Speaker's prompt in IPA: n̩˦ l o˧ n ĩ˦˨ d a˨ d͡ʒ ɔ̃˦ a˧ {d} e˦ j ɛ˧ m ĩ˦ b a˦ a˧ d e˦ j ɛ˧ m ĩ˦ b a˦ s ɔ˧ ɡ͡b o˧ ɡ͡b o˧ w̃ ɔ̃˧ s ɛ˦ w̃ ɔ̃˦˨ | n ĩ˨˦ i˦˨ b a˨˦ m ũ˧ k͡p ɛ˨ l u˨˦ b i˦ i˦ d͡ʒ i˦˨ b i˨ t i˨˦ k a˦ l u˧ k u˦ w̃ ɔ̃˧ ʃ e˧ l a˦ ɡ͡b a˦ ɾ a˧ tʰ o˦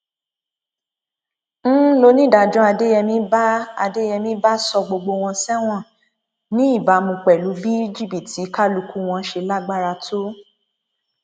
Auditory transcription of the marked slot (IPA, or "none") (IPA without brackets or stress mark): d